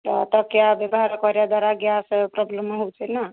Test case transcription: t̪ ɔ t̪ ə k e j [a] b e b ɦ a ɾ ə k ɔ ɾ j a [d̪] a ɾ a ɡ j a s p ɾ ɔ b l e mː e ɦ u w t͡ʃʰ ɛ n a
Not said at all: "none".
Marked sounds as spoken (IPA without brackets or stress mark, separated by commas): a, d̪